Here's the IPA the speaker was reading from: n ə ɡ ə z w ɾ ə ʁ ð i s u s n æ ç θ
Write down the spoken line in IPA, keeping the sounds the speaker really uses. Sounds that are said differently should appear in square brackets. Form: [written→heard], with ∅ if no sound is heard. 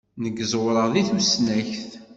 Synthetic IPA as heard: n ə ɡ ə z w ɾ ə ʁ ð i [s→θ] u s n æ ç θ